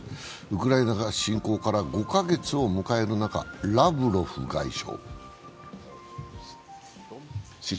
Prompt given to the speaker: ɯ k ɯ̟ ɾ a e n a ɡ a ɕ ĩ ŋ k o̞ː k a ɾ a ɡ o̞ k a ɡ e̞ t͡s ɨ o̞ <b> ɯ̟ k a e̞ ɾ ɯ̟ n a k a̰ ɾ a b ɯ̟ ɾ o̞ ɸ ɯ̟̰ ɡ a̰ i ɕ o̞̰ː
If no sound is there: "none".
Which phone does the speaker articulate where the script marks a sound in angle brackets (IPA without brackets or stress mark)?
m